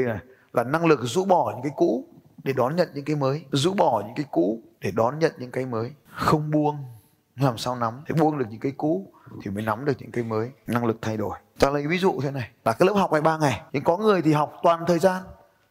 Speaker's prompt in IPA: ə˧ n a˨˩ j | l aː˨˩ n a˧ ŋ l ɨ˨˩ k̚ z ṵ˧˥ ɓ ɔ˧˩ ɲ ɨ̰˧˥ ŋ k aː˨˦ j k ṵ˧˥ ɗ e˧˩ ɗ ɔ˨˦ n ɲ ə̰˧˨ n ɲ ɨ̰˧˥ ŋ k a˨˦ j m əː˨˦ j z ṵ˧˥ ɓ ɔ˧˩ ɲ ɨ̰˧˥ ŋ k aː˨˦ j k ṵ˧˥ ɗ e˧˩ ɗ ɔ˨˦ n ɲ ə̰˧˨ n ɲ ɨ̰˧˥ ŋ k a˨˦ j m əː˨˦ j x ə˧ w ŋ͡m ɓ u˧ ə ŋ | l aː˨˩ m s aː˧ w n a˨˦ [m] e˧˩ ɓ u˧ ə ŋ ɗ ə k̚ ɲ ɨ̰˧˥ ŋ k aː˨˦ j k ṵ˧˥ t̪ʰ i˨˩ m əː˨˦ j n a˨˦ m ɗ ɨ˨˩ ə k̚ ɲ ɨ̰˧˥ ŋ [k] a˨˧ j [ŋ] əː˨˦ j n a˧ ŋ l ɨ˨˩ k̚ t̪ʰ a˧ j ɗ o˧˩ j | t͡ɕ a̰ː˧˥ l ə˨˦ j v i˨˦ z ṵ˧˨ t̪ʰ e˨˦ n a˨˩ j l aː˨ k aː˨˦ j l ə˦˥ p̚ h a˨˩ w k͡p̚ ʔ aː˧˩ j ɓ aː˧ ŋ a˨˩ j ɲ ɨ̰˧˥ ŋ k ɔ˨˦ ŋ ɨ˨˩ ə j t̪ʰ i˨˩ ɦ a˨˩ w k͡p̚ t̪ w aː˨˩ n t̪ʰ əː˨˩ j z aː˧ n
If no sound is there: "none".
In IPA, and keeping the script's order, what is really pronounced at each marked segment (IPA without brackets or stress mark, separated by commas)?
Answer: m, k, m